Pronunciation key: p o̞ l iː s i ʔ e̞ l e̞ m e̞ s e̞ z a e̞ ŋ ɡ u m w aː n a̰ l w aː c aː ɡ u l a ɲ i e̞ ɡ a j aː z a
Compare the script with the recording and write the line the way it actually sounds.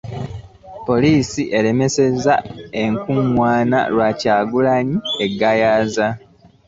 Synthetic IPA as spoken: p o̞ l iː s i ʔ e̞ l e̞ m e̞ s e̞ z a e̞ ŋ k u m w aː n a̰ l w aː c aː ɡ u l a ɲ i e̞ ɡ a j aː z a

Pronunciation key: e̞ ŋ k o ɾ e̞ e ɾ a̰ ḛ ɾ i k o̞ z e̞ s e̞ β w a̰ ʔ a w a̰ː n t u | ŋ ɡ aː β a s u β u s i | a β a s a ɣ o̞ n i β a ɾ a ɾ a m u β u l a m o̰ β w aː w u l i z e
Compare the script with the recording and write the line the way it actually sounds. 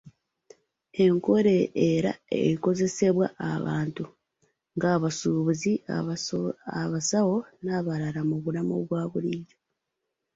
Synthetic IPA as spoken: e̞ ŋ k o ɾ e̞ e ɾ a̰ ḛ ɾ i k o̞ z e̞ s e̞ β w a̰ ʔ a β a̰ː n t u | ŋ ɡ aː β a s u β u z i | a β a s a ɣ o̞ n a β a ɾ a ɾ a m u β u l a m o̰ β w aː β u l i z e

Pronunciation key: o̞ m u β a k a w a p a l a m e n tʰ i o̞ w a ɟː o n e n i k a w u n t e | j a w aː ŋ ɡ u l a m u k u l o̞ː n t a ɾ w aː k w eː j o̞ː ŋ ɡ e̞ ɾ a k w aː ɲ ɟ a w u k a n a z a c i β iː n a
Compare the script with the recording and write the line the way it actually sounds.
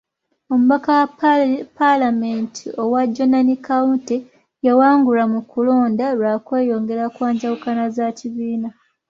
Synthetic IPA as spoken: o̞ m u β a k a w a p a l a m e n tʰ i o̞ w a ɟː o n a n i k a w u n t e | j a w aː ŋ ɡ u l a m u k u l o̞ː n d a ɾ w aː k w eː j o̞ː ŋ ɡ e̞ ɾ a k w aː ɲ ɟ a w u k a n a z a c i β iː n a

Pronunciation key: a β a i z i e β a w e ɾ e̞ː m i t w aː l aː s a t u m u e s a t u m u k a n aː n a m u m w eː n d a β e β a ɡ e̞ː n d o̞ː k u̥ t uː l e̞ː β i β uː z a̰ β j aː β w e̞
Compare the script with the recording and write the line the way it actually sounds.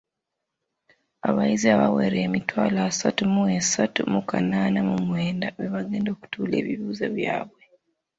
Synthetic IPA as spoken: a β a i z i a β a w e ɾ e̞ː m i t w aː l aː s a t u m u e s a t u m u k a n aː n a m u m w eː n d a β e β a ɡ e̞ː n d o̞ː k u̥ t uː l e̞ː β i β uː z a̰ β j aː β w e̞

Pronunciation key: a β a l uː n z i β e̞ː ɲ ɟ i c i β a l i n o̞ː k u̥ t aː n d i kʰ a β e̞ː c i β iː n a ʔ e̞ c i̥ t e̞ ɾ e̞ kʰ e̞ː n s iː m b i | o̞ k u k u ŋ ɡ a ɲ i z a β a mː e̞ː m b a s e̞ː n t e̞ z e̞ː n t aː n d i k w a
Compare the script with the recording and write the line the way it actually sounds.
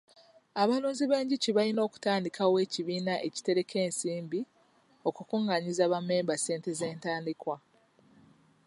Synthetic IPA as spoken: a β a l uː n z i β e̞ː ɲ ɟ i c i β a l i n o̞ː k u̥ t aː n d i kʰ a w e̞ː c i β iː n a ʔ e̞ c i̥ t e̞ ɾ e̞ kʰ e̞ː n s iː m b i | o̞ k u k u ŋ ɡ a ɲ i z a β a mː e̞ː m b a s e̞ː n t e̞ z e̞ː n t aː n d i k w a

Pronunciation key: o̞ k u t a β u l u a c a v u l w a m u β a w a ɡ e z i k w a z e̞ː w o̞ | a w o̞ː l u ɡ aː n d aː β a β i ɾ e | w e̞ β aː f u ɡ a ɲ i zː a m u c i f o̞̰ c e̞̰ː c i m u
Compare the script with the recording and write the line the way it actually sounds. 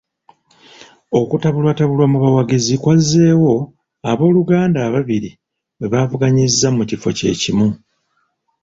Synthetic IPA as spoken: o̞ k u t a β u l w a t a β u l w a m u β a w a ɡ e z i k w a z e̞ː w o̞ | a β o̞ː l u ɡ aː n d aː β a β i ɾ i | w e̞ β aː v u ɡ a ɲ i zː a m u c i f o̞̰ c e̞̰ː c i m u

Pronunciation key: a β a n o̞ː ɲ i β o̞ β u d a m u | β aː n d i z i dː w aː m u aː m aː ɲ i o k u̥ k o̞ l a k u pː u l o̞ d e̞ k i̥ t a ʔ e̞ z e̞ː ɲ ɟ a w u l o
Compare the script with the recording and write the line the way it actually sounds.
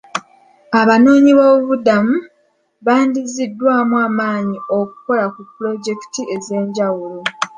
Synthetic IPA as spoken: a β a n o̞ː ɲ i β o̞ β u d a m u | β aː n d i z i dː w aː m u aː m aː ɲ i o k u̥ k o̞ l a k u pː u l o̞ ɟ e̞ k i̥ t i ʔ e̞ z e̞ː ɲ ɟ a w u l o

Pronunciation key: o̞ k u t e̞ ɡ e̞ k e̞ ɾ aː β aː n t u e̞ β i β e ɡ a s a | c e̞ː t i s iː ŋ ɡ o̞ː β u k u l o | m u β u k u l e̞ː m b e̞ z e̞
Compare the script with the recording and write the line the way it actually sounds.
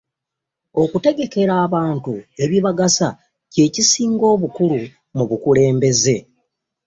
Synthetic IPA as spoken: o̞ k u t e̞ ɡ e̞ k e̞ ɾ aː β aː n t u e̞ β i β a ɡ a s a | c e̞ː c i s iː ŋ ɡ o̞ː β u k u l u | m u β u k u l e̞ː m b e̞ z e̞

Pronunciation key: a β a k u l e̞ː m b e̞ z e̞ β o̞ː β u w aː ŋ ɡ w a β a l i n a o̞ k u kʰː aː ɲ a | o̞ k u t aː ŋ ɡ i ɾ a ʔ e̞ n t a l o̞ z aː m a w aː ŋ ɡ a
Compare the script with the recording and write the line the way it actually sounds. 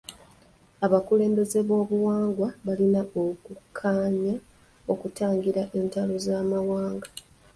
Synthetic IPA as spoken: a β a k u l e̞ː m b e̞ z e̞ β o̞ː β u w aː ŋ ɡ w a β a l i n a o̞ k u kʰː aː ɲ a | o̞ k u t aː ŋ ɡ i ɾ a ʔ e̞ n t a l o̞ z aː m a w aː ŋ ɡ a

